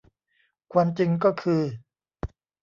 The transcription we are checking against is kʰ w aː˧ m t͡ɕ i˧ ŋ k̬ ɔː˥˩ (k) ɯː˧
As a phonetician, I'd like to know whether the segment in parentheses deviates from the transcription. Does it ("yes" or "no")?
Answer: yes